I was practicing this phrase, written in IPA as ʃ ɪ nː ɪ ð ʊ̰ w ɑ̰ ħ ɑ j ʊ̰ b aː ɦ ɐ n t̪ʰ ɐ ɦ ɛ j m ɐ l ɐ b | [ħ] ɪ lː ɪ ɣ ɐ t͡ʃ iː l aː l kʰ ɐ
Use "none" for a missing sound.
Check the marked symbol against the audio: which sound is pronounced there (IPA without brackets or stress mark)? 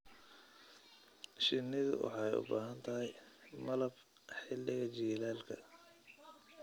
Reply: ħ